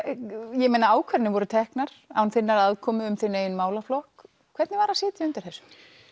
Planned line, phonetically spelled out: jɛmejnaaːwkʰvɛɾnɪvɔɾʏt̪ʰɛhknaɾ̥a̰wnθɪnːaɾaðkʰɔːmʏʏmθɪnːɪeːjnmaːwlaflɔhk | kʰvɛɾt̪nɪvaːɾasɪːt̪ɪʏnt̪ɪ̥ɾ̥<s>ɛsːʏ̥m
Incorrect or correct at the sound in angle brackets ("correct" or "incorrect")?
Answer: incorrect